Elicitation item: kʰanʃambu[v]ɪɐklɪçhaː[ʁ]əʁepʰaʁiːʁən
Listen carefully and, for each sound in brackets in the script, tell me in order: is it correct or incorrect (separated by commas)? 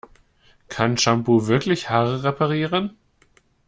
correct, correct